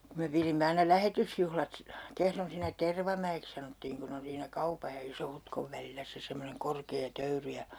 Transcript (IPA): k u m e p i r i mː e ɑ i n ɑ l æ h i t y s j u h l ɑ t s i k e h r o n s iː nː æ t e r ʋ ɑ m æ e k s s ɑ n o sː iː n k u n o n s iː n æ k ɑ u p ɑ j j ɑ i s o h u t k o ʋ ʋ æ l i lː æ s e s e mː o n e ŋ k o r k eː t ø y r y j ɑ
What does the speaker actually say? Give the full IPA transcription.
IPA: k u m e p i r i mː e ɑ i n ɑ l æ h e t y s j u h l ɑ t s i k e h r o n s iː nː æ t e r ʋ ɑ m æ e k s s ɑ n o tː iː ŋ k u n o n s iː n æ k ɑ u p ɑ j j ɑ i s o h u t k o ʋ ʋ æ l i lː æ s e s e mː o n e ŋ k o r k eː t ø y r y j ɑ